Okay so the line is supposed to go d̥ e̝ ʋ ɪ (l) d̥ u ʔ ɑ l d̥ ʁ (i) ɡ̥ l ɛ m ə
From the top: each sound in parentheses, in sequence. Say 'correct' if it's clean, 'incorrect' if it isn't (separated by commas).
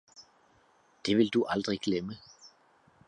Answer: correct, correct